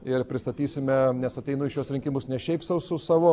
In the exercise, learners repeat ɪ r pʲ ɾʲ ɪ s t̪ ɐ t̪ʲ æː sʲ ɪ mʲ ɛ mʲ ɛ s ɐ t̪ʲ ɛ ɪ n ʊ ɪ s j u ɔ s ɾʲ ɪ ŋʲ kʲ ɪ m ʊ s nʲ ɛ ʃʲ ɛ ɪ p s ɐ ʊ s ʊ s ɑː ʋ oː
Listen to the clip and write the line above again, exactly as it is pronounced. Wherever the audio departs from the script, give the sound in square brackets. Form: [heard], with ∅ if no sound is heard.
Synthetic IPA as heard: ɪ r pʲ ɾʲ ɪ s t̪ ɐ t̪ʲ [iː] sʲ ɪ mʲ ɛ [nʲ] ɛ s ɐ t̪ʲ ɛ ɪ n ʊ ɪ [ʃ] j u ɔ s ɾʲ ɪ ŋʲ kʲ ɪ m ʊ s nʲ ɛ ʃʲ ɛ ɪ p s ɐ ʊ s ʊ s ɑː ʋ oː